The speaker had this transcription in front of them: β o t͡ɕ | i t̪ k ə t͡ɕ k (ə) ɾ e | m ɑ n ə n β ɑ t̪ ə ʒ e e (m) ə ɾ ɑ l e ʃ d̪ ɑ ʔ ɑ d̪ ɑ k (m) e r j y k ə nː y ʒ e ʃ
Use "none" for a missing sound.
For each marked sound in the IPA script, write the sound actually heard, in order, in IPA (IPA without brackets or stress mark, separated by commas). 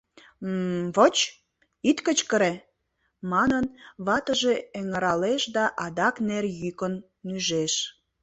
ə, ŋ, n